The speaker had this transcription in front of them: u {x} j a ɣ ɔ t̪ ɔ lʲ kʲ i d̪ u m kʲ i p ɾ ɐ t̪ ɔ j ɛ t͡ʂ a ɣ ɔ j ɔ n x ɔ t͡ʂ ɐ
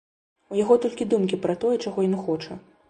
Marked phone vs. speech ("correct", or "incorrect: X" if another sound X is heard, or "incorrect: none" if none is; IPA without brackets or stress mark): incorrect: none